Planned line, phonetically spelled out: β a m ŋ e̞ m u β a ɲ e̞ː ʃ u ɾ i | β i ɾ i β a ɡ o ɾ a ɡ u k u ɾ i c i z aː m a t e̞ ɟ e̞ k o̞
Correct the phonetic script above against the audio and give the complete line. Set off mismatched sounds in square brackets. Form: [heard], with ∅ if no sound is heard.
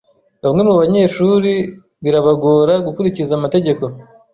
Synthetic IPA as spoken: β a m ŋ e̞ m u β a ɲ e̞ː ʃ u ɾ i | β i ɾ [a] β a ɡ o ɾ a ɡ u k u ɾ i c i z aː m a t e̞ ɟ e̞ k o̞